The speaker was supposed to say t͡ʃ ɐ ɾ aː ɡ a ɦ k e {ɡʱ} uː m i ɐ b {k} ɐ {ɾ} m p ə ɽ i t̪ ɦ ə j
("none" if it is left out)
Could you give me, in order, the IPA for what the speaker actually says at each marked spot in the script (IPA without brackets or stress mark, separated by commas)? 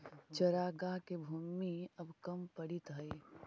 bʱ, k, none